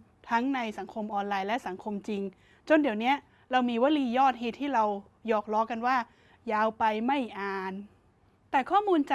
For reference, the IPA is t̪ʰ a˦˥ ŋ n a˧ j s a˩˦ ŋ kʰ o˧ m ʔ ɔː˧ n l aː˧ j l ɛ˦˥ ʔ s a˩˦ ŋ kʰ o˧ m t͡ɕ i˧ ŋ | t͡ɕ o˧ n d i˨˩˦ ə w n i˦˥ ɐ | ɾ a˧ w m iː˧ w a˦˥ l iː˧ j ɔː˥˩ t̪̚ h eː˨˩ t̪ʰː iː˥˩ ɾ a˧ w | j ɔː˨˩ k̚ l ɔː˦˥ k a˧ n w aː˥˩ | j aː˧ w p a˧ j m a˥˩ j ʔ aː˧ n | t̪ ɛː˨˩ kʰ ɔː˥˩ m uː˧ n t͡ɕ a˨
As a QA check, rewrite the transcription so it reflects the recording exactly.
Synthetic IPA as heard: t̪ʰ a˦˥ ŋ n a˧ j s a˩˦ ŋ kʰ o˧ m ʔ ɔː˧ n l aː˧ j l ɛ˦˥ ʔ s a˩˦ ŋ kʰ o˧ m t͡ɕ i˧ ŋ | t͡ɕ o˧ n d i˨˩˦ ə w n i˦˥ ɐ | ɾ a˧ w m iː˧ w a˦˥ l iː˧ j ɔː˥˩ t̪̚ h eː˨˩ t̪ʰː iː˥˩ ɾ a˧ w | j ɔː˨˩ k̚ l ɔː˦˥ k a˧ n w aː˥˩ | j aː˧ w p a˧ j m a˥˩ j ʔ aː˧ n | t̪ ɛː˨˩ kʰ ɔː˥˩ m uː˧ n t͡ɕ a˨

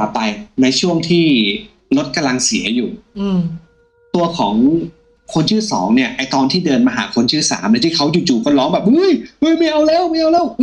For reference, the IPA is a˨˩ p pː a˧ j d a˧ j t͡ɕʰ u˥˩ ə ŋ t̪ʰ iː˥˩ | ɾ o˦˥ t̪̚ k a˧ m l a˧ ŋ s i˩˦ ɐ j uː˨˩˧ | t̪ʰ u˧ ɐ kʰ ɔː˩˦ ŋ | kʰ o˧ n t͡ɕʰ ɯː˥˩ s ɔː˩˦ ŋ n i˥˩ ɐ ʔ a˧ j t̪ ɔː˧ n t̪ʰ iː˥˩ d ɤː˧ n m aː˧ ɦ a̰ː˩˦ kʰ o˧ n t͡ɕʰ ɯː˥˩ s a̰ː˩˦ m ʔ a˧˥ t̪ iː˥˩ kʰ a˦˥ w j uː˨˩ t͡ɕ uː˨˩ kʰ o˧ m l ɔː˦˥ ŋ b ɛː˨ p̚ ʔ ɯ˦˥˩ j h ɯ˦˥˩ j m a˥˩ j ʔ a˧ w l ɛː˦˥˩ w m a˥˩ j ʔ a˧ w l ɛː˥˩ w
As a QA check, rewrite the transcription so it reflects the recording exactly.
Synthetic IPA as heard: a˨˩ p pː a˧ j n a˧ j t͡ɕʰ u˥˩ ə ŋ t̪ʰ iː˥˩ | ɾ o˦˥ t̪̚ k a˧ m l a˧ ŋ s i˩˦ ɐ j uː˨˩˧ | t̪ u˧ ɐ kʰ ɔː˩˦ ŋ | kʰ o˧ n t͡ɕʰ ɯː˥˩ s ɔː˩˦ ŋ n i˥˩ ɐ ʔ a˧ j t̪ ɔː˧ n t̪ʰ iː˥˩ d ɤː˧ n m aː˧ ɦ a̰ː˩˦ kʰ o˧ n t͡ɕʰ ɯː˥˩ s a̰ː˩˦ m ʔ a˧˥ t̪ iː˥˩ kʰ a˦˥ w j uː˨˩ t͡ɕ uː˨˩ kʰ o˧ l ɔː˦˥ ŋ b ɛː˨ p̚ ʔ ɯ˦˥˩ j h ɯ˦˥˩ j m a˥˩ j ʔ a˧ w l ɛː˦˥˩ w m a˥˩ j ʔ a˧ w l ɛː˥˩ w

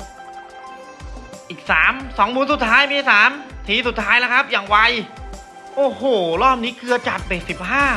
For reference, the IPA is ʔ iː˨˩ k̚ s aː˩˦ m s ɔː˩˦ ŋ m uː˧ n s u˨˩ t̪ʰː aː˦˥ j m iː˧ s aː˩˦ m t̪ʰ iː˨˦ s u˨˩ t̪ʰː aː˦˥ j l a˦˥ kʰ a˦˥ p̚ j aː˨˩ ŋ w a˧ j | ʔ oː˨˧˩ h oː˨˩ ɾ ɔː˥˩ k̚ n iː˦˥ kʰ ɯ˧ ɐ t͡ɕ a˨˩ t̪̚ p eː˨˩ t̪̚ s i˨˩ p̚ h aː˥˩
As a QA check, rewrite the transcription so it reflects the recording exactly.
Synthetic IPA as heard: ʔ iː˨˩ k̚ s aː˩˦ m s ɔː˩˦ ŋ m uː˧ n s u˨˩ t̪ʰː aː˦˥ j m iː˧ s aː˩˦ m t̪ʰ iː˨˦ s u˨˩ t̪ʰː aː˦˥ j l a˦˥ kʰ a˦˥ p̚ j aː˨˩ ŋ w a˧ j | ʔ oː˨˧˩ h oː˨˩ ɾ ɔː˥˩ p̚ n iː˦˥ kʰ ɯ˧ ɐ t͡ɕ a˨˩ t̪̚ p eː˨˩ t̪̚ s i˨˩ p̚ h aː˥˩

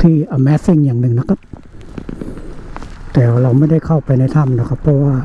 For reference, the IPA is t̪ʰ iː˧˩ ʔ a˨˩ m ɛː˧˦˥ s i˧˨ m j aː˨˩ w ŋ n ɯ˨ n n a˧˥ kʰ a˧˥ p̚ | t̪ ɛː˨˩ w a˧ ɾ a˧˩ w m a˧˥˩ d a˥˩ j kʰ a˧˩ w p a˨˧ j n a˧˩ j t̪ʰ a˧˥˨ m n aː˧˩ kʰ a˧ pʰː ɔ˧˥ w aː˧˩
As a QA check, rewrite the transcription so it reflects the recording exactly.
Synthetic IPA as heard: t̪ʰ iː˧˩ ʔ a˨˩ m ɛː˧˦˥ s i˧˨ ŋ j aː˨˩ ŋ n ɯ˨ ŋ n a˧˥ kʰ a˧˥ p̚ | t̪ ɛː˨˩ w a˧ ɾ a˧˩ w m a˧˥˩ d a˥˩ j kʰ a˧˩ w p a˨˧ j n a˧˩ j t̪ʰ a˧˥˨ m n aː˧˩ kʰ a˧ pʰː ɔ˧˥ w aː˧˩

